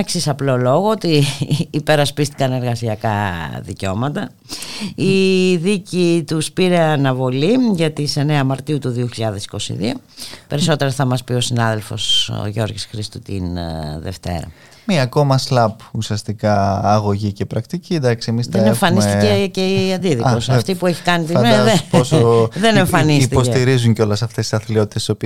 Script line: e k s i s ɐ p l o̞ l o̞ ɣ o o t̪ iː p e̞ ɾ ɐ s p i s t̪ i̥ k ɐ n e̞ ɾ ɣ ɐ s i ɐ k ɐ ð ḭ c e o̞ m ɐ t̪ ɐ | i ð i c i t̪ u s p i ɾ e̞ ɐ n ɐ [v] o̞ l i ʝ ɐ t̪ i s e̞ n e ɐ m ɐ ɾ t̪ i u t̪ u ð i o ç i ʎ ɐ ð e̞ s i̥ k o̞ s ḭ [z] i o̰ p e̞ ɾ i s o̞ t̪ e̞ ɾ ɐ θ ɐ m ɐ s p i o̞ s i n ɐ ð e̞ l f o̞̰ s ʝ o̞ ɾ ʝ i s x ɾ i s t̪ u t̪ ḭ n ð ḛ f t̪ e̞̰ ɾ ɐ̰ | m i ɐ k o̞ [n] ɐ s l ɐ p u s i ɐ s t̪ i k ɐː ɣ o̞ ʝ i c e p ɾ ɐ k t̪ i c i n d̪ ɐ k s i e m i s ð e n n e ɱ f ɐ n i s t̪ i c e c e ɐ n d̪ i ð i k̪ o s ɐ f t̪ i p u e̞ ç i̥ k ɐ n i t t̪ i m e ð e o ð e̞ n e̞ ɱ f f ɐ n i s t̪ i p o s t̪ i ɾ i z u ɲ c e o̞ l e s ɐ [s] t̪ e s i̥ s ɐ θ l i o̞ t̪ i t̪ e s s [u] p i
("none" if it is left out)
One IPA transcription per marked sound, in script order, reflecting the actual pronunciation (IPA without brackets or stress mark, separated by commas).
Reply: v, ð, m, f, o